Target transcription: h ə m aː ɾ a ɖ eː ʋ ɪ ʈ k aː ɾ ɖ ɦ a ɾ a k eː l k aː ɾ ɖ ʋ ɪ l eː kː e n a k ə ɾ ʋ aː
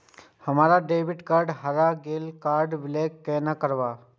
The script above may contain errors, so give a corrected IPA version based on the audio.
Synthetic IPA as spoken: h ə m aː ɾ a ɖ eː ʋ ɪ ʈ k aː ɾ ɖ ɦ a ɾ a ɡ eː l k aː ɾ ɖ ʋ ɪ l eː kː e n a k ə ɾ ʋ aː